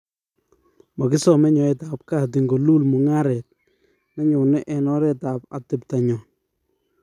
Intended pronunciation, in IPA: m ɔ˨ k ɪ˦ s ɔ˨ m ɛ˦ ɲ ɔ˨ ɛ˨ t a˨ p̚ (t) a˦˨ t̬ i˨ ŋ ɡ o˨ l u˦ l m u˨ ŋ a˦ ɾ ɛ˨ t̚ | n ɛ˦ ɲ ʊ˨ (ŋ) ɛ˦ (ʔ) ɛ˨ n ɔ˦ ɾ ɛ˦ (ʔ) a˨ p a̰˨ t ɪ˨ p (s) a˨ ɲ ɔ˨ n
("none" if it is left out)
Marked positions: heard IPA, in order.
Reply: k, n, ʔ, t, t

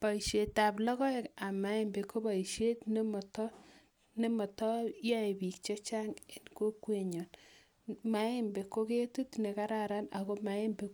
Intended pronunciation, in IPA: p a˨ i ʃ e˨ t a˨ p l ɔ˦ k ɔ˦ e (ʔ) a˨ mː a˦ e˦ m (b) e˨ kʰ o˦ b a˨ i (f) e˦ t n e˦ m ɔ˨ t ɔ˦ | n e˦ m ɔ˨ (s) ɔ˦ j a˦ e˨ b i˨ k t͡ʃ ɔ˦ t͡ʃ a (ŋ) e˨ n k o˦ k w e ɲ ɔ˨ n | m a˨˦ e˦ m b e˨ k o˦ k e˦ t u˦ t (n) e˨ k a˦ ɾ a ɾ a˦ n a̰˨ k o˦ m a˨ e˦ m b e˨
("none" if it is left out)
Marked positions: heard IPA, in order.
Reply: k, b, ʃ, t, ŋ, n

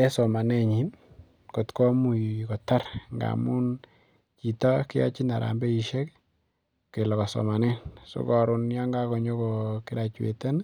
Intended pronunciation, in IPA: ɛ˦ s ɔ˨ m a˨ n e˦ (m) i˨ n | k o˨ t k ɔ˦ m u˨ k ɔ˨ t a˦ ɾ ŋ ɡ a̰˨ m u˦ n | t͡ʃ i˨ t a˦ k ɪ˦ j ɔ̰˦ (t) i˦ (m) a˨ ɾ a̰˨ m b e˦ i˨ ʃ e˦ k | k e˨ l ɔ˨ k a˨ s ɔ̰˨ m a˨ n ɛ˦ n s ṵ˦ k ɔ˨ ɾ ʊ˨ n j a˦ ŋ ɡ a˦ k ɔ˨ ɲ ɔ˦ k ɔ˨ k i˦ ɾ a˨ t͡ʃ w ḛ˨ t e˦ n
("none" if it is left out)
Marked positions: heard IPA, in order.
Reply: ɲ, t͡ʃ, n

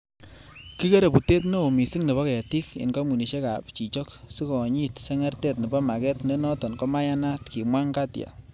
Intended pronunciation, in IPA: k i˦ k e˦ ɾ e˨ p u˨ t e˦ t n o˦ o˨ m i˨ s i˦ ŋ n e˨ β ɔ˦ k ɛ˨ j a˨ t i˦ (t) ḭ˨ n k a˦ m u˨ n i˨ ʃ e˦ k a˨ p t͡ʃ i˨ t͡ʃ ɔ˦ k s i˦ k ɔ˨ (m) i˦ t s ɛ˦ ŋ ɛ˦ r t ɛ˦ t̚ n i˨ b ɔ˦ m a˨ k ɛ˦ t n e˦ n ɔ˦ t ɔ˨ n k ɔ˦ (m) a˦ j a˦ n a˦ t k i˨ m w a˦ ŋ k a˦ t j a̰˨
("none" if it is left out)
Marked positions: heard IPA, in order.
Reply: k, ɲ, m

